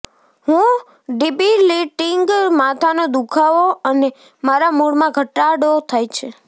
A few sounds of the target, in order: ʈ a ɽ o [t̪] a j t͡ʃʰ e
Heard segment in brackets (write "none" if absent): t̪ʰ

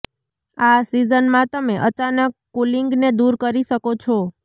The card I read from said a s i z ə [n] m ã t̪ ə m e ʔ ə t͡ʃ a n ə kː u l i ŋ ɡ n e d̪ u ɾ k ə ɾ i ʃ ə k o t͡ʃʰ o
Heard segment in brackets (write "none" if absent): n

